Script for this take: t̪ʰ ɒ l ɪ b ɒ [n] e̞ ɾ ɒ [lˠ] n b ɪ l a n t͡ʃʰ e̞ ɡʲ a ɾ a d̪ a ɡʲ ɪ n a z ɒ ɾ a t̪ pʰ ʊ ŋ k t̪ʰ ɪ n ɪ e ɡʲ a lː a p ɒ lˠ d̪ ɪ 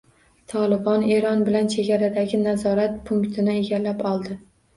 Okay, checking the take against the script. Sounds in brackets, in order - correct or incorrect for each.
correct, incorrect: none

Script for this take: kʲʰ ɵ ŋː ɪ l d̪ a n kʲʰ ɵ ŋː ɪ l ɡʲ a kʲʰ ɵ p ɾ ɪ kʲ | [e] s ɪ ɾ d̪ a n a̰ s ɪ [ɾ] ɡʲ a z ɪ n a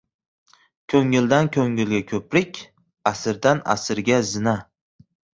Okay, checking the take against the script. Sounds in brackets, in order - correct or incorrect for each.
incorrect: a, correct

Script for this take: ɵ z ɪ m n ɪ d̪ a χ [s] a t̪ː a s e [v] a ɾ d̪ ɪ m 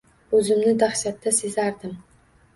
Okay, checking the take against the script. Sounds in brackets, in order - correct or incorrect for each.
incorrect: ʃ, incorrect: z

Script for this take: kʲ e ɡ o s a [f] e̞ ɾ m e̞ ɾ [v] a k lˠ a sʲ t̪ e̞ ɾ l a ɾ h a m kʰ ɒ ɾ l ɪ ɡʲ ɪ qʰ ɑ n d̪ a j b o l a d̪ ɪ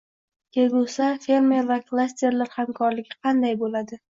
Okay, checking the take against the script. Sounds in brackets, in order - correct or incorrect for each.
correct, correct

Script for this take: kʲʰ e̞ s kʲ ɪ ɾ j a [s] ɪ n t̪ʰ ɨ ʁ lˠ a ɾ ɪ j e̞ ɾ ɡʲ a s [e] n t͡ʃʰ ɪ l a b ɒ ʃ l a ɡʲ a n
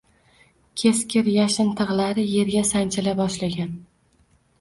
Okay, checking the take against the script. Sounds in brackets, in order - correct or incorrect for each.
incorrect: ʃ, incorrect: a

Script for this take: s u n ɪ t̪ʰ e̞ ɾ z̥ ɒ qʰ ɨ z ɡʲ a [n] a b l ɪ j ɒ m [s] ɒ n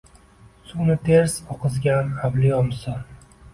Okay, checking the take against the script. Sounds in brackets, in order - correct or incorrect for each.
correct, correct

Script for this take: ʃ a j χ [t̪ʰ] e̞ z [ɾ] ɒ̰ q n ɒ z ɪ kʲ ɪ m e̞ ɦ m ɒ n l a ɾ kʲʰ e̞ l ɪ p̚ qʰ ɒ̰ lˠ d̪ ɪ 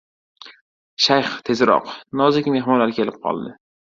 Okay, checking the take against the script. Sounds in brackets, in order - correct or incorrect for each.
correct, correct

